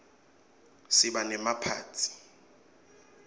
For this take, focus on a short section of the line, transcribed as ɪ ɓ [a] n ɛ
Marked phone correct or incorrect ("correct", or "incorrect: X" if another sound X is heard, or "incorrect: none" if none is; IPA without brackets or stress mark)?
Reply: correct